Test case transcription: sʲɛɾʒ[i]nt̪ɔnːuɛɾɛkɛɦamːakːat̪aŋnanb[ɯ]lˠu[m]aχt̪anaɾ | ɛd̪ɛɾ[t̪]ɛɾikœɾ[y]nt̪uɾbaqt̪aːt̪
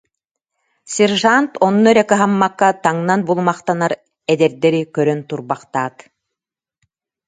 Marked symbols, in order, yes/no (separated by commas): no, no, yes, no, no